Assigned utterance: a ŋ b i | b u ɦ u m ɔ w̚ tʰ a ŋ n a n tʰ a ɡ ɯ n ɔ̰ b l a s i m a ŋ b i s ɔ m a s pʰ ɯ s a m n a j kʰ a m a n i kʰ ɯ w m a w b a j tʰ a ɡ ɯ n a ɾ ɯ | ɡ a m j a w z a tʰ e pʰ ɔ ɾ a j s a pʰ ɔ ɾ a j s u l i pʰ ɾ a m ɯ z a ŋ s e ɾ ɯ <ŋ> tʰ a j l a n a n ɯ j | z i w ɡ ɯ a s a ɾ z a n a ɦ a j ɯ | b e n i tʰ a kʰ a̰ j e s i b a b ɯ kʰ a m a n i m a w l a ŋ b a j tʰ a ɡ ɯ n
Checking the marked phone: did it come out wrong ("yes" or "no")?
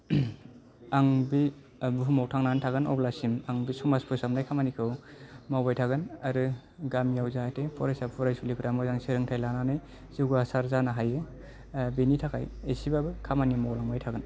no